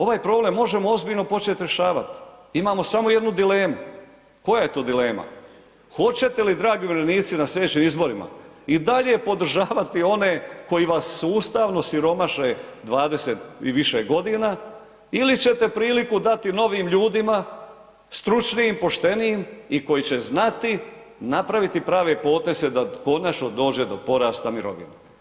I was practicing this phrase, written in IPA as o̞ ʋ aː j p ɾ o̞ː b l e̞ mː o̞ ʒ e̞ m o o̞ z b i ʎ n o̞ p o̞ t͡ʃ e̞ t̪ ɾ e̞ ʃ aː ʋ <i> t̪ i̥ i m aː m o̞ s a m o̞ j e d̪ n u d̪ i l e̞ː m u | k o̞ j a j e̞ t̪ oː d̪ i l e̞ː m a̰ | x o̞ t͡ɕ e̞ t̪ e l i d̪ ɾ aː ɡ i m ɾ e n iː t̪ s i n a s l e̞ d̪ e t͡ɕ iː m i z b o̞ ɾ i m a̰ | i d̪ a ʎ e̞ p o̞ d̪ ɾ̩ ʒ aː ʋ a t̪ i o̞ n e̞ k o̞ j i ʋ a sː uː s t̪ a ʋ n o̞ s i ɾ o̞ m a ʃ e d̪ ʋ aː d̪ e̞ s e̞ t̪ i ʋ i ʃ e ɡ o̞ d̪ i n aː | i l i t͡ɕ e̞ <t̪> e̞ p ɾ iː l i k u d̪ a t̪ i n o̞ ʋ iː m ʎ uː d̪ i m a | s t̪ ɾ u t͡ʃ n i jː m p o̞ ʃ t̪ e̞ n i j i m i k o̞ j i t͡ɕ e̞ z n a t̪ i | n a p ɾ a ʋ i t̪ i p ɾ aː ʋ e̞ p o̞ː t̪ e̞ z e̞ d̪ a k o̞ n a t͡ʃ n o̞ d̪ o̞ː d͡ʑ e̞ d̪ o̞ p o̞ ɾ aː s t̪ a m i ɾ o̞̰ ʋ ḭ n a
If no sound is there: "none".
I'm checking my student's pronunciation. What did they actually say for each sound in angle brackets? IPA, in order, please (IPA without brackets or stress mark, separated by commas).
a, t̪